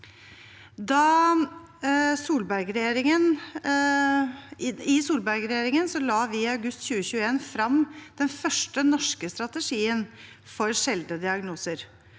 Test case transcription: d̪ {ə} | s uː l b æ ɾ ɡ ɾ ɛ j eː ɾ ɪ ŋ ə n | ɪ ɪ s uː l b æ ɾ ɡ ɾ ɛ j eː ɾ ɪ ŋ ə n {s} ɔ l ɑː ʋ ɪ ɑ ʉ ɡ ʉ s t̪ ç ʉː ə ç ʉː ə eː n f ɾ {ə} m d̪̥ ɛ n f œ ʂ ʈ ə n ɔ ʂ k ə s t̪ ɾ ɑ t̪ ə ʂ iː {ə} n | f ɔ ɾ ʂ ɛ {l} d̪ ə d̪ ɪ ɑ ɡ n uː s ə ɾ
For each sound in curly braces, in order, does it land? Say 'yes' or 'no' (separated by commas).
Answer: no, yes, no, yes, yes